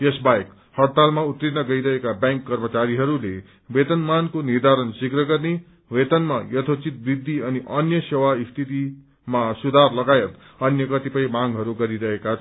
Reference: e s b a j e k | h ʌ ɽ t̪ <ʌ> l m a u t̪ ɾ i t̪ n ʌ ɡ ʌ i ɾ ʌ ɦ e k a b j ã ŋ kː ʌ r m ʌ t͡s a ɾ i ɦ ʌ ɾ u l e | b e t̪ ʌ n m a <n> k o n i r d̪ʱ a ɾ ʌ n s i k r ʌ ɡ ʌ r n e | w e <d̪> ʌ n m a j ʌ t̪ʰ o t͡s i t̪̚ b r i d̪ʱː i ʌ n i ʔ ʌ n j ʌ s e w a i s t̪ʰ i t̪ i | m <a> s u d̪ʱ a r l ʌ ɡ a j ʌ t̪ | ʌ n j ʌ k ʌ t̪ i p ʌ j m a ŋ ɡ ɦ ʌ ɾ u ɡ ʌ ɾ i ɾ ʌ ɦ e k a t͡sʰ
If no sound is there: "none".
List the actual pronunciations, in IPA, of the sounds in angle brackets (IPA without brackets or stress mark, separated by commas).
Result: a, n, t̪, a